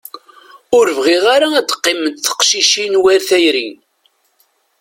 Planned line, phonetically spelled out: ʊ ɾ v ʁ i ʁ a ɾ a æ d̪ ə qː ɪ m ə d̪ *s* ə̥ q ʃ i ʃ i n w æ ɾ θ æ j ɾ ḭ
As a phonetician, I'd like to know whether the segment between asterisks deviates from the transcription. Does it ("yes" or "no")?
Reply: yes